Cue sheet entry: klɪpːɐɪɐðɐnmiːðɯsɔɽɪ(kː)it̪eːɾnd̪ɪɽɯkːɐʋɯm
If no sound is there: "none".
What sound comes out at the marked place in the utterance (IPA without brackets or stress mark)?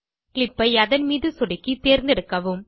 kː